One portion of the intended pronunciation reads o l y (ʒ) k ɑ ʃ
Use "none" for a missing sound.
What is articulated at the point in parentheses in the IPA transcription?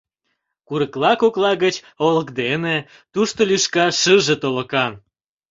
ʃ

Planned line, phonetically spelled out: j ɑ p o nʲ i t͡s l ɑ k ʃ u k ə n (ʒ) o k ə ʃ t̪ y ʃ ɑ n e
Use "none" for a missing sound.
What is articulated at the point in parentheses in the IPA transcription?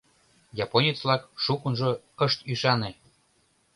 ʒ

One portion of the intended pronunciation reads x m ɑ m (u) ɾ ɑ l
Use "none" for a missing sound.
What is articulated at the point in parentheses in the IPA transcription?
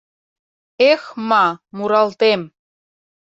u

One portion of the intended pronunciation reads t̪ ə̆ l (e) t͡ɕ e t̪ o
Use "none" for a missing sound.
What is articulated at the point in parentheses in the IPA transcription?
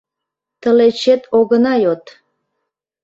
e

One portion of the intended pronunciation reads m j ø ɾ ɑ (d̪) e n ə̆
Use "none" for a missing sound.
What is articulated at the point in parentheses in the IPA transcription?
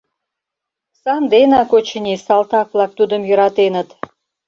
t̪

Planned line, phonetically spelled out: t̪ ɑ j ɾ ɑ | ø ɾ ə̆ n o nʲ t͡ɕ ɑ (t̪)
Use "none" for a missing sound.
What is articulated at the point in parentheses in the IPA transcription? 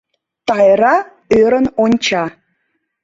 none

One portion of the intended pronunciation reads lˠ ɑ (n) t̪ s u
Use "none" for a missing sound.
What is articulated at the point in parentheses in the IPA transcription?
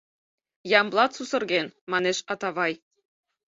none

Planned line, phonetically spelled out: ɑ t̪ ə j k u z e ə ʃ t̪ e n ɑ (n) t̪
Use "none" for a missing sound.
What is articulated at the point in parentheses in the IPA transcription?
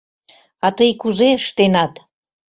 none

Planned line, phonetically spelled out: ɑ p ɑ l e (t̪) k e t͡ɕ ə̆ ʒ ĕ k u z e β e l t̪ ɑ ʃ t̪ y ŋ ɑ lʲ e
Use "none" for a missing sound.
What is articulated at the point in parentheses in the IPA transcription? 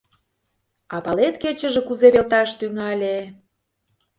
t̪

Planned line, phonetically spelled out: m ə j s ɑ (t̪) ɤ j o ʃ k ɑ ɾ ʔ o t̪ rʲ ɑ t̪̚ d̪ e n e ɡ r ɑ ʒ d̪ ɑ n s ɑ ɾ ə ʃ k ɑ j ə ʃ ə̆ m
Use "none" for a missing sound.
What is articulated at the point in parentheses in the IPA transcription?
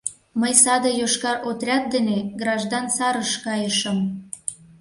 d̪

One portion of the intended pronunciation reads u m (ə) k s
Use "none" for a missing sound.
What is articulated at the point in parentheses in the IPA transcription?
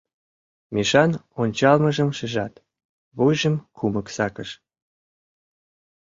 ə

